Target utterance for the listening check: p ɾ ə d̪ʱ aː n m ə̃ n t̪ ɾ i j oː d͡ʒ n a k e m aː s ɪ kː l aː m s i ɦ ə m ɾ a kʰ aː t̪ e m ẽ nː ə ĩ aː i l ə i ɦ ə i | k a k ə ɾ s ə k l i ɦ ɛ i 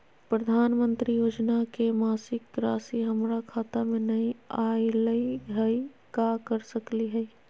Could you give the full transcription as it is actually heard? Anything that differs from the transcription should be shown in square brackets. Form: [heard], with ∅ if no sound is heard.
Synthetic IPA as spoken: p ɾ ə d̪ʱ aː n m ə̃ n t̪ ɾ i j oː d͡ʒ n a k e m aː s ɪ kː [ɾ] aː [∅] s i ɦ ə m ɾ a kʰ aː t̪ [a] m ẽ [n] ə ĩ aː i l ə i ɦ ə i | k a k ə ɾ s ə k l i ɦ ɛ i